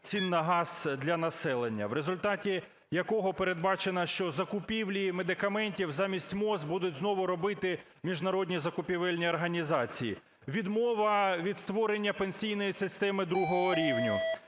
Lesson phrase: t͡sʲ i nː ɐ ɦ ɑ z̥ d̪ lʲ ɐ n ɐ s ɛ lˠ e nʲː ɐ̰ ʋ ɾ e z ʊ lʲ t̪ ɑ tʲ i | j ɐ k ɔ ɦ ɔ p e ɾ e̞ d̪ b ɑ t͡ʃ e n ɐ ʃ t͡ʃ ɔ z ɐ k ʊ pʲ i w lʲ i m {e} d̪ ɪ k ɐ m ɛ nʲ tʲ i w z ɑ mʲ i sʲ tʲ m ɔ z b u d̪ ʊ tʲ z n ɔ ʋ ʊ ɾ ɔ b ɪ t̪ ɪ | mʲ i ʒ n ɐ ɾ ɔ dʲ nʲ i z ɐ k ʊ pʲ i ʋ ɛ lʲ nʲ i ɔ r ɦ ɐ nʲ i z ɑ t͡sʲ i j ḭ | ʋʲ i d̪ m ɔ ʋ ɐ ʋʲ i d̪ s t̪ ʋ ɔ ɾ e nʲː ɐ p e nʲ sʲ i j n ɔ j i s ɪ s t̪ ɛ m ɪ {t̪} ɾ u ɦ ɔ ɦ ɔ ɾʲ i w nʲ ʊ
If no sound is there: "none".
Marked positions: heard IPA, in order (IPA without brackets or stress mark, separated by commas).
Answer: e, d̪